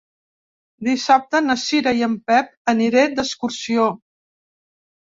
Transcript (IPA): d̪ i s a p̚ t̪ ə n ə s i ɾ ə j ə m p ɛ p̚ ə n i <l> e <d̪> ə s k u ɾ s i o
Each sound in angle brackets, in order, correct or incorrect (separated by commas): incorrect, correct